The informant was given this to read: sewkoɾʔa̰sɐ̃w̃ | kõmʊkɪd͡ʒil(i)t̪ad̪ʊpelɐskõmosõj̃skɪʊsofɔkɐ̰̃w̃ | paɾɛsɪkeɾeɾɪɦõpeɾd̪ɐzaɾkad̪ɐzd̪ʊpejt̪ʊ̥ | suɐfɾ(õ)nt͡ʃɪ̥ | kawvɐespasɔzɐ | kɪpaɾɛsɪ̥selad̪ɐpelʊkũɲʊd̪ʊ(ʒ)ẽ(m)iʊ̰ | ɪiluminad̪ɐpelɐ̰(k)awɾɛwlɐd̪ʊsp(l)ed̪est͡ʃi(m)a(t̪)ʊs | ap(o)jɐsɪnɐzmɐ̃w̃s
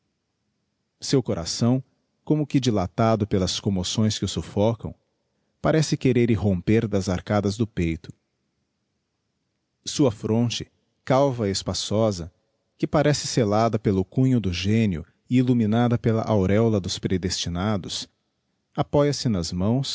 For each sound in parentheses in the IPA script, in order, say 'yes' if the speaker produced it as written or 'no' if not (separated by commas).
no, yes, yes, no, no, no, no, no, no